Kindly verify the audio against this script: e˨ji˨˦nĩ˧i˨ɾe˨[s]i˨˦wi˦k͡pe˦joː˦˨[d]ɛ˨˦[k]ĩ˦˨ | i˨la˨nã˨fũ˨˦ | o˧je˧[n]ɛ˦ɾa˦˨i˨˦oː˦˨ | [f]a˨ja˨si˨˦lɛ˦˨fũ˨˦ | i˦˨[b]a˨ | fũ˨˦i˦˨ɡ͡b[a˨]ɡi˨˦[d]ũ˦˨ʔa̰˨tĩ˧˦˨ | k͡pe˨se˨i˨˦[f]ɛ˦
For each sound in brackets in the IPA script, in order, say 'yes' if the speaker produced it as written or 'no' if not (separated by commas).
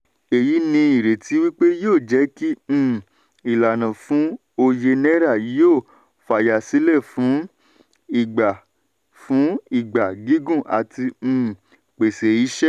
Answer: no, no, yes, yes, yes, no, yes, no, no